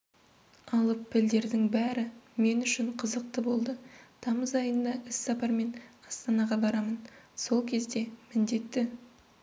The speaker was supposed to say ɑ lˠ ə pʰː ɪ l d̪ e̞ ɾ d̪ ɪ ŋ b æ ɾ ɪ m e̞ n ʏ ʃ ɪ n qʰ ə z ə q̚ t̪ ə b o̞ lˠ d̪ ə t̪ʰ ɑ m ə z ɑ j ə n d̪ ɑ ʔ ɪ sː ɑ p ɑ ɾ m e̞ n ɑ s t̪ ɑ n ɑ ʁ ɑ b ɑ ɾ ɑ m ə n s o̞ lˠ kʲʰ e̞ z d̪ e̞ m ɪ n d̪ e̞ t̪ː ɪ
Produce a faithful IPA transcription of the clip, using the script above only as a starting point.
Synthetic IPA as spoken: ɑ lˠ ə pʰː ɪ l d̪ e̞ ɾ d̪ ɪ ŋ b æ ɾ ɪ m e̞ n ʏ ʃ ɪ ɴ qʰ ə z ə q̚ t̪ ə b o̞ lˠ d̪ ə t̪ʰ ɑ m ə z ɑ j ə n d̪ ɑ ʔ ɪ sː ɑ p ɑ ɾ m e̞ n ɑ s t̪ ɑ n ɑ ʁ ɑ b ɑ ɾ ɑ m ə n s o̞ lˠ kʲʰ e̞ z d̪ e̞ m ɪ n d̪ e̞ t̪ː ɪ